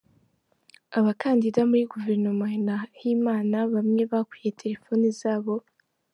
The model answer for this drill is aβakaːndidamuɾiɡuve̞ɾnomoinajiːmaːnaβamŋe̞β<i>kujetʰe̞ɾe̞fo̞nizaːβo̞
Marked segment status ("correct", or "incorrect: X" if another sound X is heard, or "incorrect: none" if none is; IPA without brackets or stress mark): incorrect: a